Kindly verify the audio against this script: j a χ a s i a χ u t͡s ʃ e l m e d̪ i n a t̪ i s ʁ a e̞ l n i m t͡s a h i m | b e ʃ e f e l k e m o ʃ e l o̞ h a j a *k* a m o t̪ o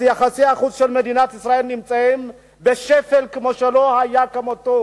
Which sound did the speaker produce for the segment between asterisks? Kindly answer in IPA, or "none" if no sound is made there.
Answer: k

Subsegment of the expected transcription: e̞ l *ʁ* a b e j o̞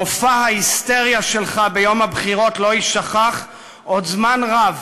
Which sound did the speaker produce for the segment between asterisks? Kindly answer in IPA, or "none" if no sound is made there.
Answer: χ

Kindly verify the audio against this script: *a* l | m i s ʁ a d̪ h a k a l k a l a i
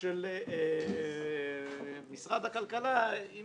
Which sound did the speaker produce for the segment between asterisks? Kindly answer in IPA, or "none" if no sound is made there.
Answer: e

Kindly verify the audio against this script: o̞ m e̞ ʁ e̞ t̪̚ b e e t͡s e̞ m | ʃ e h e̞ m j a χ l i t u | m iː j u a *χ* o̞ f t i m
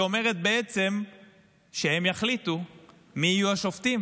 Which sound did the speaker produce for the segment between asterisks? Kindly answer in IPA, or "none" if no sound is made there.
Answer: ʃ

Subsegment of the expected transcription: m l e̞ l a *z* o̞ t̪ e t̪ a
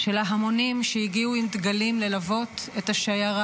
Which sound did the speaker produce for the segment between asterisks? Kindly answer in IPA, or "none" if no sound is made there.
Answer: v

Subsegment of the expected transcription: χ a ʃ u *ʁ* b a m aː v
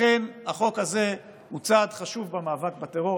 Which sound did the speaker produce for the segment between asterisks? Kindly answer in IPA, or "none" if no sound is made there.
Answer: v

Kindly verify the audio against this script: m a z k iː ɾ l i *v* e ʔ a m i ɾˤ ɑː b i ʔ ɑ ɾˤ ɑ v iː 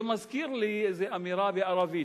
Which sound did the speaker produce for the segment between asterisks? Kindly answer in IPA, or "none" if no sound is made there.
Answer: z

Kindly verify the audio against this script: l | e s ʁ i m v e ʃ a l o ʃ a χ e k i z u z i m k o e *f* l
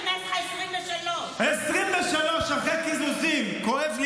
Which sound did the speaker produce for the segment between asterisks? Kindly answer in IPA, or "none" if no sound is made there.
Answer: v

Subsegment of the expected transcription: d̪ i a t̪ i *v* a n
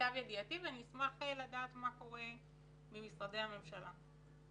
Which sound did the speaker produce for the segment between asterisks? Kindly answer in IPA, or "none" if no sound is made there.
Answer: v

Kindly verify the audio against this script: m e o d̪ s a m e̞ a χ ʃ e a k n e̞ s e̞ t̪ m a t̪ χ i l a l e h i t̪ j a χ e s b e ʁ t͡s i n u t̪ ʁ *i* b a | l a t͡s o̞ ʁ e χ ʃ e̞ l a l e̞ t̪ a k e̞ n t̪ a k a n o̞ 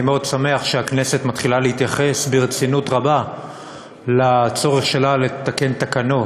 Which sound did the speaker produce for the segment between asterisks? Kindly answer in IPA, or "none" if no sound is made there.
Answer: a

